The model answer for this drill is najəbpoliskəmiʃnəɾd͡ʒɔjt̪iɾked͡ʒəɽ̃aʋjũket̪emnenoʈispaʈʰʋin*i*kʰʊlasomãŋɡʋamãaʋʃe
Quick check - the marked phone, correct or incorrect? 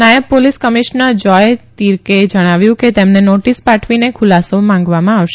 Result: incorrect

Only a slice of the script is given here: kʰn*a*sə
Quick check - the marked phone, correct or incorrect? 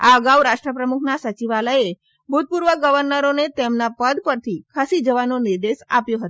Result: correct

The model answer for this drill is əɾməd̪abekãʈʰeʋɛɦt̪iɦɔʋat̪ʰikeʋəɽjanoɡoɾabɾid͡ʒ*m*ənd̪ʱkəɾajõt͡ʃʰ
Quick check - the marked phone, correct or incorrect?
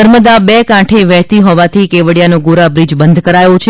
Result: incorrect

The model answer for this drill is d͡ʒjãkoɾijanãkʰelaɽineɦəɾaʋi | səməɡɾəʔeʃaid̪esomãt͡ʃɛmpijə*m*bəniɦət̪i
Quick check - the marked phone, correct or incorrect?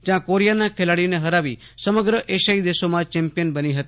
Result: incorrect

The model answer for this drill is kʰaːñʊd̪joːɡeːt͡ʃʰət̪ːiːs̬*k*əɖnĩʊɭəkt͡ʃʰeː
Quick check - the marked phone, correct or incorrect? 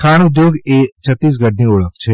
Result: incorrect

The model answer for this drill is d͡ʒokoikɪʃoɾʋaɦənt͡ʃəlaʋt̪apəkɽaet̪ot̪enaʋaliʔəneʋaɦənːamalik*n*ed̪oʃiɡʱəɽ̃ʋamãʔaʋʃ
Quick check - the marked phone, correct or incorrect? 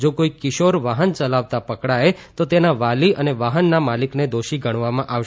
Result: correct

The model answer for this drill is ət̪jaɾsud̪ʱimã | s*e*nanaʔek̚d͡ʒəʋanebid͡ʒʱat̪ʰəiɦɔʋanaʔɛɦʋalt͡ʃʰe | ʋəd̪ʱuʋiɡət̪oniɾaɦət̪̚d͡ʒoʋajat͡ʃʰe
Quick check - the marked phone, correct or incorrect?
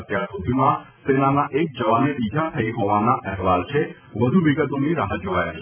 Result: correct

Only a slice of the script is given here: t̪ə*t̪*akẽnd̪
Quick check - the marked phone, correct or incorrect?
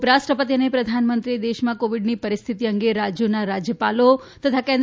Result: incorrect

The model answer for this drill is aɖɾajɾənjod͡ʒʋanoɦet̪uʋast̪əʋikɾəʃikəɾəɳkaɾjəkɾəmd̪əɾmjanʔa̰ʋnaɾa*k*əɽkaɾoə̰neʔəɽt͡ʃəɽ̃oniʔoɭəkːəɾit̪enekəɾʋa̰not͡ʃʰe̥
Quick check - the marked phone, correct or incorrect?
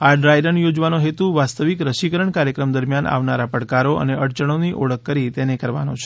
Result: incorrect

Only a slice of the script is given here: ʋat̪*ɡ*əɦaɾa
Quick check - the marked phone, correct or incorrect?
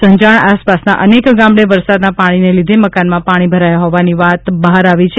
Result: incorrect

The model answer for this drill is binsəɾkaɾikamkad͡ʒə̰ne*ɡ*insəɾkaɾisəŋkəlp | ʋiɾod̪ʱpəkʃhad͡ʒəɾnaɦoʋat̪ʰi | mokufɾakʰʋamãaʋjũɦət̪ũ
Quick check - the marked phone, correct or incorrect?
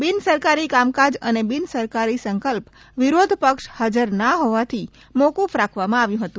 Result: incorrect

